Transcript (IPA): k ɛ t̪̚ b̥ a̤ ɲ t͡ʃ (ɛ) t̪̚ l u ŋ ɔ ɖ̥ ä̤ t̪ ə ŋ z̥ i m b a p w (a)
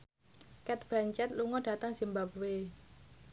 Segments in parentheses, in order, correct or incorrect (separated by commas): correct, incorrect